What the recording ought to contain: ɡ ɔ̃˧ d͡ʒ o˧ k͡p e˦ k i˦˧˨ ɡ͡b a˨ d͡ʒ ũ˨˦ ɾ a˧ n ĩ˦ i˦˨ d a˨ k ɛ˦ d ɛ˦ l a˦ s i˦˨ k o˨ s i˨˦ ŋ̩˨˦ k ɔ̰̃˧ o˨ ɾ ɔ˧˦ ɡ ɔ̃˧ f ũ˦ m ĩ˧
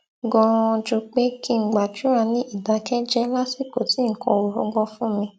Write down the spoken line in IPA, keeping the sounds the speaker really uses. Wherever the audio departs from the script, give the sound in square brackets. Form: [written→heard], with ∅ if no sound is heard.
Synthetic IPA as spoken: ɡ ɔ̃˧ d͡ʒ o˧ k͡p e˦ k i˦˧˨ ɡ͡b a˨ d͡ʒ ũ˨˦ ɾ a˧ n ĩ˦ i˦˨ d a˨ k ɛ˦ [d→d͡ʒ] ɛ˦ l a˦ s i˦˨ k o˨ [s→t] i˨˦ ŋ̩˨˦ k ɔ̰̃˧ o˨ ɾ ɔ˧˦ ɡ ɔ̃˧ f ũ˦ m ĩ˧